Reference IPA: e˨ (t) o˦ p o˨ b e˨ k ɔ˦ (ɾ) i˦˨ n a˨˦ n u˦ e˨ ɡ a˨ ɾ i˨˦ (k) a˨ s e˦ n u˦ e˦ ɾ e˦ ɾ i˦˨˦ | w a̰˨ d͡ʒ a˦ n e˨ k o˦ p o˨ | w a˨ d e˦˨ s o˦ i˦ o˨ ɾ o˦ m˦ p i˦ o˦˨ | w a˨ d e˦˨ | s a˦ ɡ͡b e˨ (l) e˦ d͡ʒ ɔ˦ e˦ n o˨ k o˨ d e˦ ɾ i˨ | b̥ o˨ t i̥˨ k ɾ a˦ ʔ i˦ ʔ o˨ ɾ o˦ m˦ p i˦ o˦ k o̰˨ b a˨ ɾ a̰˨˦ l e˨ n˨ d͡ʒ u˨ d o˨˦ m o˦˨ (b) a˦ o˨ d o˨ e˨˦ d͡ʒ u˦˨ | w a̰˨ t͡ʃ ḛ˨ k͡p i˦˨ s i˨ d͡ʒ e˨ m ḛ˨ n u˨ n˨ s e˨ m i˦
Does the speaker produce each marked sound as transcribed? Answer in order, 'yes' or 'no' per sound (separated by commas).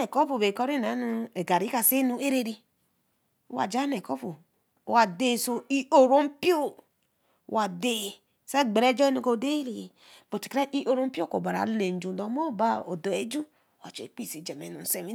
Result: no, yes, yes, no, yes